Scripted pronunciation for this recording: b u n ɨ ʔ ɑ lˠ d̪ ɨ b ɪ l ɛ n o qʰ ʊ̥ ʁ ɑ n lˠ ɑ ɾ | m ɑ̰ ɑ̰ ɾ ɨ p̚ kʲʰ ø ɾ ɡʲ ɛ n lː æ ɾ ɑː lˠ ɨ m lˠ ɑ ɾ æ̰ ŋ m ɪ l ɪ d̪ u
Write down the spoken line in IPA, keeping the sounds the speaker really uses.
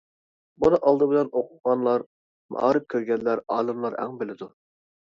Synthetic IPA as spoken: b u n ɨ ʔ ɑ lˠ d̪ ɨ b ɪ l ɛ n o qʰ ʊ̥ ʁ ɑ n lˠ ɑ ɾ | m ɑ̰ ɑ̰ ɾ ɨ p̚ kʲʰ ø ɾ ɡʲ ɛ n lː æ ɾ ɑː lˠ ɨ m lˠ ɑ ɾ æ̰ ŋ b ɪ l ɪ d̪ u